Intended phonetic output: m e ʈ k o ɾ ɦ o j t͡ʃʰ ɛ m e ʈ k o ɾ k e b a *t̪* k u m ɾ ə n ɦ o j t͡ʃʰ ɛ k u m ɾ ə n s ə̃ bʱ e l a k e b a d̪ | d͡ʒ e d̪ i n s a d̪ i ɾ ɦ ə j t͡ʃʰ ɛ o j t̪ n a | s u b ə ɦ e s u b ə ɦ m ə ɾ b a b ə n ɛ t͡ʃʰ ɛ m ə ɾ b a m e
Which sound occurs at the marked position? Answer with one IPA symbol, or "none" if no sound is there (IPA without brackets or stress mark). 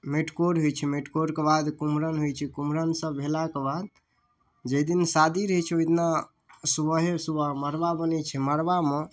d̪